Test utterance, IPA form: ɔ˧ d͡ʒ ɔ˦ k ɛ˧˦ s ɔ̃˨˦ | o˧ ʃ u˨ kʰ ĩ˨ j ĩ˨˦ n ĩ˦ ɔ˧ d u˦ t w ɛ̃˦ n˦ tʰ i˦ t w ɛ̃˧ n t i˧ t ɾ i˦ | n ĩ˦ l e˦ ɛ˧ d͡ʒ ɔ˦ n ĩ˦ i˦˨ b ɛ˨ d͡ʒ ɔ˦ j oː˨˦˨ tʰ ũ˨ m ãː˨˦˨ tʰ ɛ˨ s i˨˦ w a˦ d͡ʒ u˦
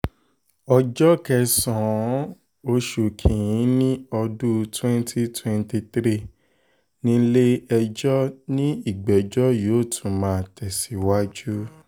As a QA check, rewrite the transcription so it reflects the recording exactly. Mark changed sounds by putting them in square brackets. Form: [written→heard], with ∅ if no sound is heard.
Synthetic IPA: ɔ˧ d͡ʒ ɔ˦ k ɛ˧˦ s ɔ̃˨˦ | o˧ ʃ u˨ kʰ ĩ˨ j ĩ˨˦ n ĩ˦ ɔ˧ d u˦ t w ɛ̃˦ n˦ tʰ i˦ t w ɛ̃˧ n t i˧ t ɾ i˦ | n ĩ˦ l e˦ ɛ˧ d͡ʒ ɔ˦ n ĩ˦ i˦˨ [b→ɡ͡b] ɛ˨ d͡ʒ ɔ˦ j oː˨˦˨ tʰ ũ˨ m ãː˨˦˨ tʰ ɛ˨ s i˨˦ w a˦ d͡ʒ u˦